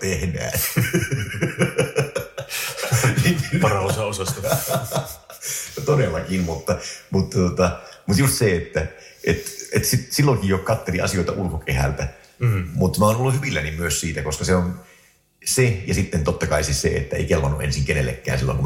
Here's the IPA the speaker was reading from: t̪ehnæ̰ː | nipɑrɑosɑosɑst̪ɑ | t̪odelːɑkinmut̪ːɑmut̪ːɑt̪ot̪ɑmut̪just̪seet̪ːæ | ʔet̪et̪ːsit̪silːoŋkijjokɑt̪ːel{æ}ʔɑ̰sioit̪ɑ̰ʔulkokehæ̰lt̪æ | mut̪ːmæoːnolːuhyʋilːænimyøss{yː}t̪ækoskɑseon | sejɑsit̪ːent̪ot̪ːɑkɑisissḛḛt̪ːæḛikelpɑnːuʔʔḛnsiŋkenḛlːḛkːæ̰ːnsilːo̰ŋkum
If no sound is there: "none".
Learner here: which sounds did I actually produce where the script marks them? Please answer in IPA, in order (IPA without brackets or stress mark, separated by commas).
i, iː